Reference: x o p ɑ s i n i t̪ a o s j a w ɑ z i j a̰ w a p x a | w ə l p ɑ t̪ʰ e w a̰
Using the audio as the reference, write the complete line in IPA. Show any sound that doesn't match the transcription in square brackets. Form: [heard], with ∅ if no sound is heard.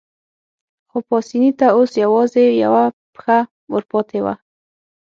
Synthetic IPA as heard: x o p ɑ s i n i t̪ a o s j a w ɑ z [e] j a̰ w a p x a | w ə [ɾ] p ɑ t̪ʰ e w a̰